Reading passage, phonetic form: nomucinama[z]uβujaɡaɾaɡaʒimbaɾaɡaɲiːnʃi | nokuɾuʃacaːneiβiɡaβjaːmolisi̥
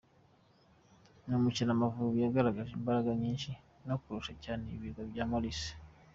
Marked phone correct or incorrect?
incorrect